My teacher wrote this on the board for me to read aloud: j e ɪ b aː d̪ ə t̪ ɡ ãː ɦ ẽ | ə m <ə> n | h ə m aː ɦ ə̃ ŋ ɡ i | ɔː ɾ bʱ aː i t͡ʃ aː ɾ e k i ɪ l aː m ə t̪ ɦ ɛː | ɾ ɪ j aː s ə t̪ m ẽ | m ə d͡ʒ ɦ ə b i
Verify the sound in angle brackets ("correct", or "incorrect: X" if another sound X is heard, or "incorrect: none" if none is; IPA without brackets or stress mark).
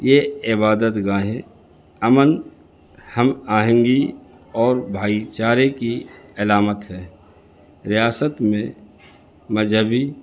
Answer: correct